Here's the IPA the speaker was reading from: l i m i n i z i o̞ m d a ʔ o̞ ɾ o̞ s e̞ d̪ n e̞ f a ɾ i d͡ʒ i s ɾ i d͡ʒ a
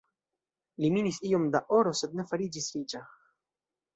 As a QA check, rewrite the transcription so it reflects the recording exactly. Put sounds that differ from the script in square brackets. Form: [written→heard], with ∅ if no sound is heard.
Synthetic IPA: l i m i n i [z→s] i o̞ m d a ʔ o̞ ɾ o̞ s e̞ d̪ n e̞ f a ɾ i d͡ʒ i s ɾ i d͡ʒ a